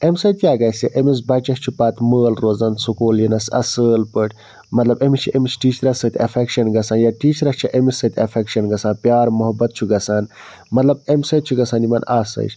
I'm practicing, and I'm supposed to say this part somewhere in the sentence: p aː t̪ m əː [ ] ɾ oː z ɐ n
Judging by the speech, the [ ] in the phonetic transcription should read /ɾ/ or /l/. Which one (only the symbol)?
l